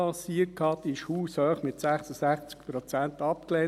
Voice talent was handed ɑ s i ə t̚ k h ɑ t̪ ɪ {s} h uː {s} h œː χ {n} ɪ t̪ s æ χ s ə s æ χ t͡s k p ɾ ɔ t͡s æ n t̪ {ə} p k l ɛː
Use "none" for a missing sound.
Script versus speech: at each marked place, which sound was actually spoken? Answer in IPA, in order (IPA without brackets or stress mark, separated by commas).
ʃ, s, m, ɑ